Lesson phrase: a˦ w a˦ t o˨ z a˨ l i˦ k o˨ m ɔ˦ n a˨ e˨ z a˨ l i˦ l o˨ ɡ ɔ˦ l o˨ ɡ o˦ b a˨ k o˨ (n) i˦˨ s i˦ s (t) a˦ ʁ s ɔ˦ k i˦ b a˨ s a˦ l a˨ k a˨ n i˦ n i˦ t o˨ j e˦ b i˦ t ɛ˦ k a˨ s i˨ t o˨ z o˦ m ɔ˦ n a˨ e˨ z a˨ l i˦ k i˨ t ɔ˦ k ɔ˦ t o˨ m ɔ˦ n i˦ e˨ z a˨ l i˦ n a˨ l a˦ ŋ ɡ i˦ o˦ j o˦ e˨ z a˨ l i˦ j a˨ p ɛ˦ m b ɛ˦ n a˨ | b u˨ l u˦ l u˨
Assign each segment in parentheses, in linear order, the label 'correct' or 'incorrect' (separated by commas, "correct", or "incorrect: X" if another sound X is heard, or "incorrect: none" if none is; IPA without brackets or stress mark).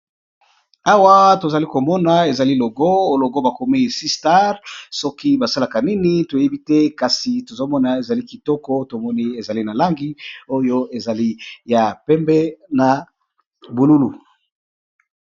incorrect: m, correct